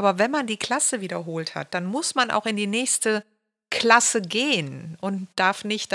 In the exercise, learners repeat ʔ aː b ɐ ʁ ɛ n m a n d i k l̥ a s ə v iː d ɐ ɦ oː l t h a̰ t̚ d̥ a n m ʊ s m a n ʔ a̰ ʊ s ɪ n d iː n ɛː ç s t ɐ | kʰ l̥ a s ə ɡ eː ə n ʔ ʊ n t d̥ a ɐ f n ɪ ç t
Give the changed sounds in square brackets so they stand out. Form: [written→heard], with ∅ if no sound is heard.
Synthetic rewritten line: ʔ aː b ɐ [ʁ→v] ɛ n m a n d [i→iː] k l̥ a s ə v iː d ɐ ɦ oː l t h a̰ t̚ d̥ a n m ʊ s m a n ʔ a̰ ʊ [s→x] ɪ n d iː n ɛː ç s t [ɐ→ə] | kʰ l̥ a s ə ɡ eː ə n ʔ ʊ n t d̥ a ɐ f n ɪ ç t